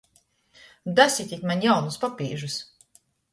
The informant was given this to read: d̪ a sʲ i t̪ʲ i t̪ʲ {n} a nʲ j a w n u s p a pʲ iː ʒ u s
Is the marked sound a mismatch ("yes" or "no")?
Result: yes